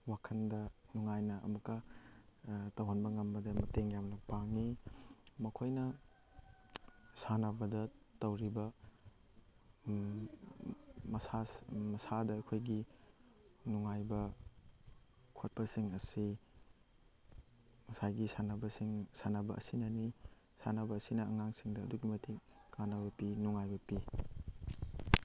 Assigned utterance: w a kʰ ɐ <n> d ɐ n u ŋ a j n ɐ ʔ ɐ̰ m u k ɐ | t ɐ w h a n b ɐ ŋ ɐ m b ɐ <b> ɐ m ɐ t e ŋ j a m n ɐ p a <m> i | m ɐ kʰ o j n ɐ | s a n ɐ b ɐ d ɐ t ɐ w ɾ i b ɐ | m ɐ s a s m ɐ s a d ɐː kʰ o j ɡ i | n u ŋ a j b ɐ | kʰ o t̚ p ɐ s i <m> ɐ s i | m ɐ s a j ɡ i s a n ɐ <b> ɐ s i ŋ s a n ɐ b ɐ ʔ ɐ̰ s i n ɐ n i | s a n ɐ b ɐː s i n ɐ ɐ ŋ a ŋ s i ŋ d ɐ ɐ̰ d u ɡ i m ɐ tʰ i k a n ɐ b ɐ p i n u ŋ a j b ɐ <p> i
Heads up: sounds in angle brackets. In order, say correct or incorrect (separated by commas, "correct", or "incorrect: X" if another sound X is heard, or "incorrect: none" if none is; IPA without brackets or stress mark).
correct, incorrect: d, incorrect: ŋ, incorrect: ŋ, correct, correct